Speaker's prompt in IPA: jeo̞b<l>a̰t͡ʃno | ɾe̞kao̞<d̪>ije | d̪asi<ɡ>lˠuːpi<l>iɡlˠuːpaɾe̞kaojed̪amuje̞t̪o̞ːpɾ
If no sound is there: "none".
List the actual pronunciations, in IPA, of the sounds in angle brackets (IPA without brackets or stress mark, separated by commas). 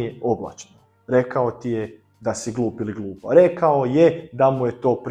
l, t̪, ɡ, l